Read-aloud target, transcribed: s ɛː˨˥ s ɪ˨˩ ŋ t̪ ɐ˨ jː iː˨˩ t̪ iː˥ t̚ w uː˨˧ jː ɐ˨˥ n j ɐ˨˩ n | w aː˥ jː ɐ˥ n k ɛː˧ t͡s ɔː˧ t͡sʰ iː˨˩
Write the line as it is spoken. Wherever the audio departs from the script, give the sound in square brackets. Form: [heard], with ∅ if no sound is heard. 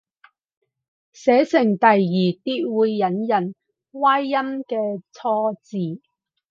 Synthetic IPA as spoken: s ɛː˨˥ s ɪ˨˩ ŋ t̪ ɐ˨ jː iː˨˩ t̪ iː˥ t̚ w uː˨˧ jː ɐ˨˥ n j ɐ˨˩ n | w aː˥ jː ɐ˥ [m] k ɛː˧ [t͡sʰ] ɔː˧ [t͡s] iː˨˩